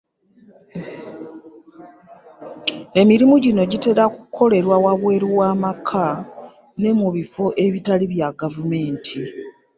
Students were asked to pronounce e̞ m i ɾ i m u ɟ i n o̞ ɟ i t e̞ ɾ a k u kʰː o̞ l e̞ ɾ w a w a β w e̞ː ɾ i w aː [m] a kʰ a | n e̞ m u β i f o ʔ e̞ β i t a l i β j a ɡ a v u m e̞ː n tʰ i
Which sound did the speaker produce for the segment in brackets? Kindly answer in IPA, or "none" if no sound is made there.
m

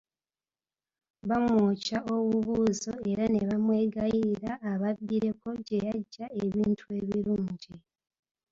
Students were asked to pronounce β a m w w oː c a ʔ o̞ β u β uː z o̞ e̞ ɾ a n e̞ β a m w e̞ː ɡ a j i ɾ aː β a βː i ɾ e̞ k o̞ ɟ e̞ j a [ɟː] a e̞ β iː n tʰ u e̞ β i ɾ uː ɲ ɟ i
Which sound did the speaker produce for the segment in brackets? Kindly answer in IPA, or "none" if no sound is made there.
ɟː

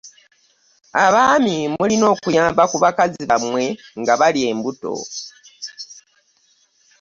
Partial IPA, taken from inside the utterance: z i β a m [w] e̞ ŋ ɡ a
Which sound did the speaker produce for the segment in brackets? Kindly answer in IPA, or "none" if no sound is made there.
w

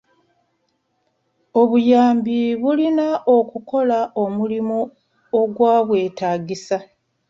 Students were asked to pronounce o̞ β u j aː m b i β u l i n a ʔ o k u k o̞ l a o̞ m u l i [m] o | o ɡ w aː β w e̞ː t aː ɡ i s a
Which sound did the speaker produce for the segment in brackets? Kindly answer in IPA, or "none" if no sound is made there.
m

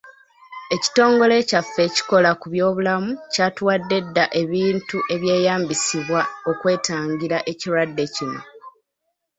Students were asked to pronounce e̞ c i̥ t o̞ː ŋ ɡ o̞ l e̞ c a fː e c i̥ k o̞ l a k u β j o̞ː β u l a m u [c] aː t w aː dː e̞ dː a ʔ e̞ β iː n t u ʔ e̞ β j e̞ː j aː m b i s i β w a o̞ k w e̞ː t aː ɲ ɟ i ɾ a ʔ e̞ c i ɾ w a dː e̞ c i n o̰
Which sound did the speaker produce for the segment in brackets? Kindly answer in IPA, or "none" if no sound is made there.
c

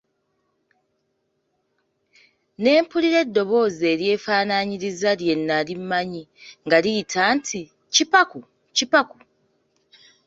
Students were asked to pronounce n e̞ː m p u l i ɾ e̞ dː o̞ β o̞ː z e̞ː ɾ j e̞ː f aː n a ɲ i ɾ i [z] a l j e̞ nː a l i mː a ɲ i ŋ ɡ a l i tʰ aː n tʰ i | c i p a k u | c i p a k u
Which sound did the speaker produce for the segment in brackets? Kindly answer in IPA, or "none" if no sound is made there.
z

